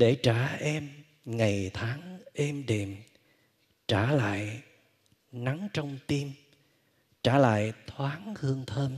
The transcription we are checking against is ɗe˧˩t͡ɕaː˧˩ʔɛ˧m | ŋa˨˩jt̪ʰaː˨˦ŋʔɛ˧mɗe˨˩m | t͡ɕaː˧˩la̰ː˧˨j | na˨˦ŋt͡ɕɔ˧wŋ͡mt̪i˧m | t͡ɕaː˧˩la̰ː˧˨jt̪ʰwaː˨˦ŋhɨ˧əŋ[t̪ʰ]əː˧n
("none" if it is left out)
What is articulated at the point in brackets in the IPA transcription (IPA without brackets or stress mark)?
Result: t̪ʰ